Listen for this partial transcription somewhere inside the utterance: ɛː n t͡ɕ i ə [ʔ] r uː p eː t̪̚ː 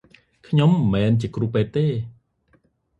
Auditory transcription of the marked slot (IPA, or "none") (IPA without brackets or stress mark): k